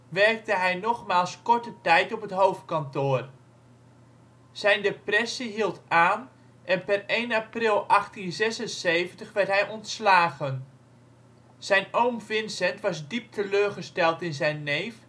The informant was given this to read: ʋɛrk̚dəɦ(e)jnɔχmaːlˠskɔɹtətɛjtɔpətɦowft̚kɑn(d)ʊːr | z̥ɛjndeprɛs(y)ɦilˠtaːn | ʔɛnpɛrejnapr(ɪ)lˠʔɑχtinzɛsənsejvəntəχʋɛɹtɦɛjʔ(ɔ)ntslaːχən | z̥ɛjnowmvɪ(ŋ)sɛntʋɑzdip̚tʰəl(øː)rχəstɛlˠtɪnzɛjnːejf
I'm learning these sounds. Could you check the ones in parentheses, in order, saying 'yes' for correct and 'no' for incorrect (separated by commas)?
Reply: no, no, no, yes, yes, no, yes